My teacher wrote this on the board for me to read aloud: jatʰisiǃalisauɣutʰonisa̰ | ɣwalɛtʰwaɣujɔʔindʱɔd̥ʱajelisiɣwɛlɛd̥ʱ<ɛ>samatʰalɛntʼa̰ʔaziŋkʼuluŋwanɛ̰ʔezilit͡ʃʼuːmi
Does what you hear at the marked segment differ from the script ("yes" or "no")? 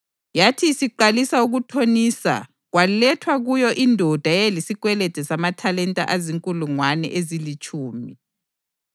no